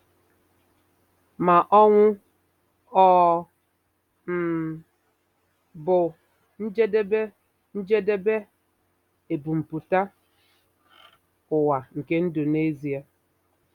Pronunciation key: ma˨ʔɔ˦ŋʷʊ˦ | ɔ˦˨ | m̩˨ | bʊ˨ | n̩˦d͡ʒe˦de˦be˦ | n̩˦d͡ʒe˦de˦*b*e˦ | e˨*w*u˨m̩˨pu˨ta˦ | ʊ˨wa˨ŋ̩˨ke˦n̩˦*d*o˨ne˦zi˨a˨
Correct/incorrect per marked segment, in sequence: correct, incorrect: b, correct

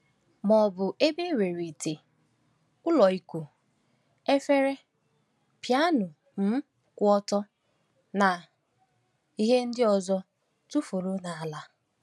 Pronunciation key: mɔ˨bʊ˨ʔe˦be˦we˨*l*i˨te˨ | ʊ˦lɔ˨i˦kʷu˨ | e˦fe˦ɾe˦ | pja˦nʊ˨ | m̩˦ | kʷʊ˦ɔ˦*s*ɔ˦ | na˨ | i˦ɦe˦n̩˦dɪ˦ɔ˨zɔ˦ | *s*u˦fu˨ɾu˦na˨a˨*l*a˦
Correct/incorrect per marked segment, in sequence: incorrect: ɾ, incorrect: t, incorrect: t, correct

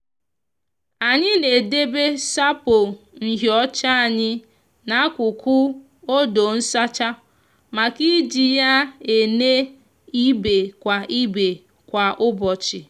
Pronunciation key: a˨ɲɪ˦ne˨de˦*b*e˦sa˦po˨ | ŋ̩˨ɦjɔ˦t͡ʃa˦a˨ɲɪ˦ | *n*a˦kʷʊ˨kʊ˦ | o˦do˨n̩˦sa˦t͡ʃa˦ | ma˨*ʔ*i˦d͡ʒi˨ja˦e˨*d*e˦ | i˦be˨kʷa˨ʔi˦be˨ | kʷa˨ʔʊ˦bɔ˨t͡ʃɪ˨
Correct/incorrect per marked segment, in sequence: correct, correct, incorrect: k, incorrect: n

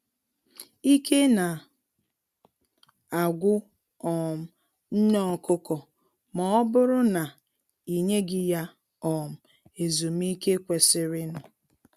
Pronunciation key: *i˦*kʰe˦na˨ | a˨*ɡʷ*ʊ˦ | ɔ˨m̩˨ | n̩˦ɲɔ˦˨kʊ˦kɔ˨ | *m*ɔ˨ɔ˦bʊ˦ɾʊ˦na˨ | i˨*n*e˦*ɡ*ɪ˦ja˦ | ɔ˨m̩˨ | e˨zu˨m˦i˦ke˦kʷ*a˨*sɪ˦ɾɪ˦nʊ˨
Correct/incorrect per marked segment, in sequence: correct, correct, correct, incorrect: ɲ, correct, incorrect: e˨

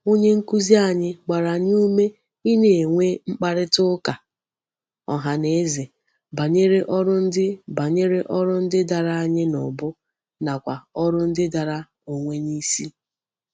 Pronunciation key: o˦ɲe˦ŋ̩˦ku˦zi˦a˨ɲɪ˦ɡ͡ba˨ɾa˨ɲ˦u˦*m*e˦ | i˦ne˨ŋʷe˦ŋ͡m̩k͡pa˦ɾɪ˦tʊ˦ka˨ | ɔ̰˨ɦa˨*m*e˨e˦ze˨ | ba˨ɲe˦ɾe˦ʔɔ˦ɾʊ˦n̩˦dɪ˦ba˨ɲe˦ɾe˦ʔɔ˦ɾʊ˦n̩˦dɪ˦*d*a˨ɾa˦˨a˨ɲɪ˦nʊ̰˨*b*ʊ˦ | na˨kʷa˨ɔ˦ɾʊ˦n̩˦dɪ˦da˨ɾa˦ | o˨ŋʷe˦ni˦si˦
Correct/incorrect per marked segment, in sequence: correct, incorrect: n, correct, correct

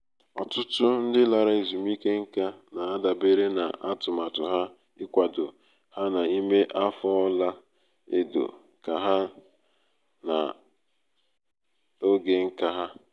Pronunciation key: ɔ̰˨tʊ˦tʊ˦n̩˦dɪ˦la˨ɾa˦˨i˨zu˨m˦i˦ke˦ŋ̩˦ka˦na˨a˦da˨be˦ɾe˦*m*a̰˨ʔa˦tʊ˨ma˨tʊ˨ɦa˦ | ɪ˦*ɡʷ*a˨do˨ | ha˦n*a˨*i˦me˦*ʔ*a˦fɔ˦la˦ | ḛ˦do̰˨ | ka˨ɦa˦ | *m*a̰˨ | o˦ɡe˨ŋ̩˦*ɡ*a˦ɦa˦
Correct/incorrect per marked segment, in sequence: incorrect: n, incorrect: kʷ, correct, correct, incorrect: n, incorrect: k

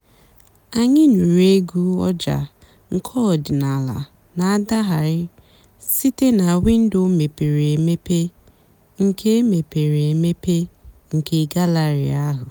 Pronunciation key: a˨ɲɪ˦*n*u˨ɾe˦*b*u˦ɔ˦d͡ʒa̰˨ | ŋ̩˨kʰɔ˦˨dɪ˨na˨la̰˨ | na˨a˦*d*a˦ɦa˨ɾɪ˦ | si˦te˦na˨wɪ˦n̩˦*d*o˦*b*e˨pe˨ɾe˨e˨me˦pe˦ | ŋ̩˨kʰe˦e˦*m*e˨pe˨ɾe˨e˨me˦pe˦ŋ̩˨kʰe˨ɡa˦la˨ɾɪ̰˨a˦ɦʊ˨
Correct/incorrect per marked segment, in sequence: correct, incorrect: ɡ, correct, correct, incorrect: m, correct

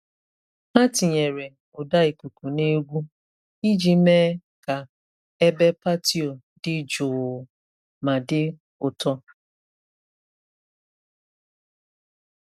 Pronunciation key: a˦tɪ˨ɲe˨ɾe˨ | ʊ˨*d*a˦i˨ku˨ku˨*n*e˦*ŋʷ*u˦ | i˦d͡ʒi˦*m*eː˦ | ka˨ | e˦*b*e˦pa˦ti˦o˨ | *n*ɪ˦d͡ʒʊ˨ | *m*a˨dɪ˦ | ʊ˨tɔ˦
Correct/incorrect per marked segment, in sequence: correct, correct, incorrect: ɡʷ, correct, correct, incorrect: d, correct

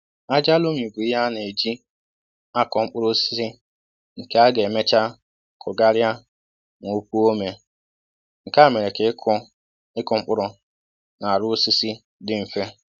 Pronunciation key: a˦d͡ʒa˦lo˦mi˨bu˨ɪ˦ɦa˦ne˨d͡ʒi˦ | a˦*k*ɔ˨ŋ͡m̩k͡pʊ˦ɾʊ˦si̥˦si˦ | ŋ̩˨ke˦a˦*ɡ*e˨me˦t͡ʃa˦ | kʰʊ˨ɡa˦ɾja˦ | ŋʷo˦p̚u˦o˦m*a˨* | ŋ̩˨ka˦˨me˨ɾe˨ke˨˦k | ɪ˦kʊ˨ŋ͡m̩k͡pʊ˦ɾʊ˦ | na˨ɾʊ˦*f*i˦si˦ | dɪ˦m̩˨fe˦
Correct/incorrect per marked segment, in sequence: correct, correct, incorrect: e˨, incorrect: s

